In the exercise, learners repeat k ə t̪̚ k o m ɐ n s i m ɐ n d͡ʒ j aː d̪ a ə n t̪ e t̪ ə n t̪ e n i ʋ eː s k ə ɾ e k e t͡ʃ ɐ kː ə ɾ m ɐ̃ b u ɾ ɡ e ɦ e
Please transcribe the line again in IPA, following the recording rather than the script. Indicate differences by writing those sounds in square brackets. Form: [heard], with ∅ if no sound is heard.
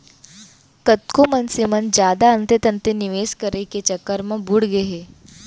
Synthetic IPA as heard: k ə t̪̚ k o m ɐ n s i m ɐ n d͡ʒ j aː d̪ a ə n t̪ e t̪ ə n t̪ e n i ʋ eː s k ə ɾ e k e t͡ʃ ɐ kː ə ɾ m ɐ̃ b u [ɽ] ɡ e ɦ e